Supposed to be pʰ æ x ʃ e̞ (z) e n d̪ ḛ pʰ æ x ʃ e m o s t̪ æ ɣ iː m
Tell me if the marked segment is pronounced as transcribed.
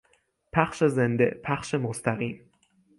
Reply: yes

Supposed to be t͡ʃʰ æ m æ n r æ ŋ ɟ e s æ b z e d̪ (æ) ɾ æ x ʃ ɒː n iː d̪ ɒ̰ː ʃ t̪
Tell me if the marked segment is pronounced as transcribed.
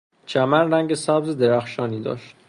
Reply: no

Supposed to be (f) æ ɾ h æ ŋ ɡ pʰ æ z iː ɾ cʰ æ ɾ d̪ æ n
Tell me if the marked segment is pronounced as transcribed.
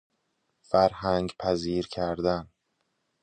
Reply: yes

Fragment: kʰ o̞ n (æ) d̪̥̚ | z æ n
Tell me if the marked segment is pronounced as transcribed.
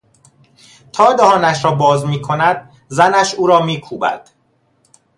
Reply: yes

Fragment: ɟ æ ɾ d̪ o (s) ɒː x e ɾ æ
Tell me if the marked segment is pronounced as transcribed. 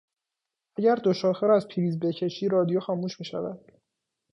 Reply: no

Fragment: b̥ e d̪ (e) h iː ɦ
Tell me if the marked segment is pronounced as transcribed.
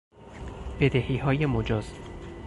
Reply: yes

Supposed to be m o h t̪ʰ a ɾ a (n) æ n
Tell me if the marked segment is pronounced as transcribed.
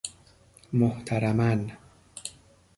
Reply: no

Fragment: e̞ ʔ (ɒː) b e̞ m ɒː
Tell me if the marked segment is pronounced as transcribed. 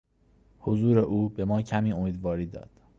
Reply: no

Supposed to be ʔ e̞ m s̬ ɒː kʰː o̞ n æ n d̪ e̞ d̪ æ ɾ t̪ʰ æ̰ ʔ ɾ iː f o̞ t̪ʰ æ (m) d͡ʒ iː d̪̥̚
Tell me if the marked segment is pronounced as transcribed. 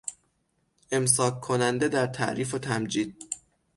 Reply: yes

